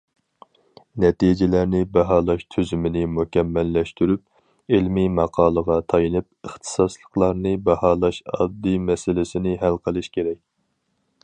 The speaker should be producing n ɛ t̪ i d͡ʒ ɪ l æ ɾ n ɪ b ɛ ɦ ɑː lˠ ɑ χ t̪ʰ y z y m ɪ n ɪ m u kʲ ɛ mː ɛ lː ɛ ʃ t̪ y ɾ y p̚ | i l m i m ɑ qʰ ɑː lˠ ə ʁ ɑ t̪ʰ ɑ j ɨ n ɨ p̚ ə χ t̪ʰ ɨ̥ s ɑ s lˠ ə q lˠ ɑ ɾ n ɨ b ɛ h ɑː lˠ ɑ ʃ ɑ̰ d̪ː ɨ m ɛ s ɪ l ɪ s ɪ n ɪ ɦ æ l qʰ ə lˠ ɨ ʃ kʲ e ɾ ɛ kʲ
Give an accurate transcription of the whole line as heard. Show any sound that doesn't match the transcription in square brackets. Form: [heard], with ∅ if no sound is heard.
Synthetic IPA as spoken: n ɛ t̪ i d͡ʒ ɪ l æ ɾ n ɪ b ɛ ɦ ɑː lˠ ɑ [ʃ] t̪ʰ y z y m ɪ n ɪ m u kʲ ɛ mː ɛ lː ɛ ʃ t̪ y ɾ y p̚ | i l m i m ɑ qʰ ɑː lˠ ə ʁ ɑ t̪ʰ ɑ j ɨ n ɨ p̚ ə χ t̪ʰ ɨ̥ s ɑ s lˠ ə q lˠ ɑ ɾ n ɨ b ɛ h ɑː lˠ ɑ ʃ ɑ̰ d̪ː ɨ m ɛ s ɪ l ɪ s ɪ n ɪ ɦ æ l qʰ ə lˠ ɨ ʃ kʲ e ɾ ɛ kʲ

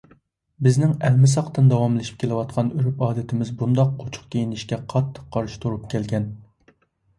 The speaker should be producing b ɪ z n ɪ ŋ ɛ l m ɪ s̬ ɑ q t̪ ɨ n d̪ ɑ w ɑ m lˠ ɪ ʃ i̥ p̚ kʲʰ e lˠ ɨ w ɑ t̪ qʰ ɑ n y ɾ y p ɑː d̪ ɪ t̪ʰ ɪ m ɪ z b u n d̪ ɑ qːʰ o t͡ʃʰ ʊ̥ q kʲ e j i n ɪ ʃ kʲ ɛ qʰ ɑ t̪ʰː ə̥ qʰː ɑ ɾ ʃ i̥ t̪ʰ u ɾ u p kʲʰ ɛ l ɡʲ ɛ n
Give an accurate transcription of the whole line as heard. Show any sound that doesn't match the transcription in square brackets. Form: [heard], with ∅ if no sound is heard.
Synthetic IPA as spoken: b ɪ z n ɪ ŋ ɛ l m ɪ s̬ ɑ q t̪ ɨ n d̪ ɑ w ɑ m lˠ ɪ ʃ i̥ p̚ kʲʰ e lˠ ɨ w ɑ t̪ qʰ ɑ n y ɾ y p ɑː d̪ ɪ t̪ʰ ɪ m ɪ z b u n d̪ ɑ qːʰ o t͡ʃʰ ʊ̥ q kʲ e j i n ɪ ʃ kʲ ɛ qʰ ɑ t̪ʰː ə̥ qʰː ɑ ɾ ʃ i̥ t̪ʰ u ɾ u p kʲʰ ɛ l ɡʲ ɛ n

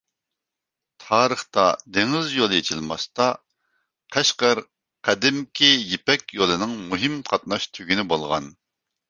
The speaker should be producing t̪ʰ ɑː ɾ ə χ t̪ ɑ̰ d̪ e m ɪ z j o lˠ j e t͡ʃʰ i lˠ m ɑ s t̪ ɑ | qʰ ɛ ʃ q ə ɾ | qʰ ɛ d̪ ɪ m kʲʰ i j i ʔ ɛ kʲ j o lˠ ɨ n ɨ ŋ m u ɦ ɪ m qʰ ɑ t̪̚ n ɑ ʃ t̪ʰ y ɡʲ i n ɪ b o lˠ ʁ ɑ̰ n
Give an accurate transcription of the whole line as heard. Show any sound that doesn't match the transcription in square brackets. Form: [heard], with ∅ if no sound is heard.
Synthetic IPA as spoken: t̪ʰ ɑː ɾ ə χ t̪ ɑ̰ d̪ e [ŋ] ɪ z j o lˠ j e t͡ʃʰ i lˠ m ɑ s t̪ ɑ | qʰ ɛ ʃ q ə ɾ | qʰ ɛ d̪ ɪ m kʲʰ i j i [p] ɛ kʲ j o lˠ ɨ n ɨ ŋ m u ɦ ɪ m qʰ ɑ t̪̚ n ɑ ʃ t̪ʰ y ɡʲ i n ɪ b o lˠ ʁ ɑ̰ n

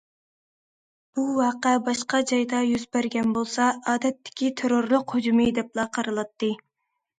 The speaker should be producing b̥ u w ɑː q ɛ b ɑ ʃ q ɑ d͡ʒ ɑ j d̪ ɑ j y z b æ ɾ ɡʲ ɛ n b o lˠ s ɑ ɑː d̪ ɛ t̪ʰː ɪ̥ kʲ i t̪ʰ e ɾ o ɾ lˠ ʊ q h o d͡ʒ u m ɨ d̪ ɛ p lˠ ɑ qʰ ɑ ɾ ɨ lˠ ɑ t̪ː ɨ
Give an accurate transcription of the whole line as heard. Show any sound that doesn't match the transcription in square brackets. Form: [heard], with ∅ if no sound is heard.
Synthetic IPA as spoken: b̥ u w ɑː q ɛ b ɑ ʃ q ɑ d͡ʒ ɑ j d̪ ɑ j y z b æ ɾ ɡʲ ɛ n b o lˠ s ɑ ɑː d̪ ɛ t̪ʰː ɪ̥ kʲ i t̪ʰ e ɾ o ɾ lˠ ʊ q h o d͡ʒ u m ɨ d̪ ɛ p lˠ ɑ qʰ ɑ ɾ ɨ lˠ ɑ t̪ː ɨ

